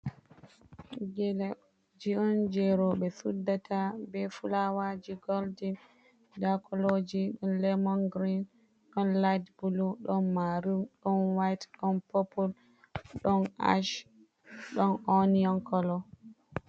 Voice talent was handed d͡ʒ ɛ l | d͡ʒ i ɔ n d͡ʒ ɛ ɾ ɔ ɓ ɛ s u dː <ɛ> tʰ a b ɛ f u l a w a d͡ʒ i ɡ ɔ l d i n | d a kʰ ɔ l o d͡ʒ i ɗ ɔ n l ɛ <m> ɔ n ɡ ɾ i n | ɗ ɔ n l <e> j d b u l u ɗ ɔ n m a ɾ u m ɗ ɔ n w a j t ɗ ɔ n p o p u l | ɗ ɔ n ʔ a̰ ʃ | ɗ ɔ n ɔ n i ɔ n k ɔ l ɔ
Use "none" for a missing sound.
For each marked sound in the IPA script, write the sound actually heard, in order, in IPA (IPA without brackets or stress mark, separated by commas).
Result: a, m, a